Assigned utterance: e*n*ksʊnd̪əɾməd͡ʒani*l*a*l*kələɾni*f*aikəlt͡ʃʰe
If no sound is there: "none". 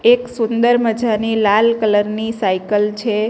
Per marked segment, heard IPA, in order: none, l, l, s

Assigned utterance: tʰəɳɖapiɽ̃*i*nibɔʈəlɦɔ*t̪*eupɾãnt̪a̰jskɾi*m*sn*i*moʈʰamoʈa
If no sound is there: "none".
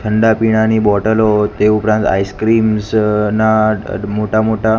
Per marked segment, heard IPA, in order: a, t̪, m, a

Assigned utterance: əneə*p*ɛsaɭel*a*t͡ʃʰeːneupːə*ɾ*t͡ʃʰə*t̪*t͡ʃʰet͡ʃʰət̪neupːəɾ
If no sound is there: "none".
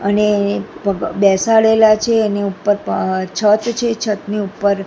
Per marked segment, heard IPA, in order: b, a, ɾ, t̪

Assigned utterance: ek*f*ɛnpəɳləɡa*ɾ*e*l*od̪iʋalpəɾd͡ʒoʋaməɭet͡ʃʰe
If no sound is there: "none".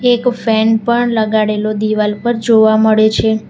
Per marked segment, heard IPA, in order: f, ɽ, l

